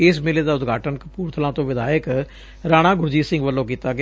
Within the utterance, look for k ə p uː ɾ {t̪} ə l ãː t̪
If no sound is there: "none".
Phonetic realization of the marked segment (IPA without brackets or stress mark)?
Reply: t̪ʰ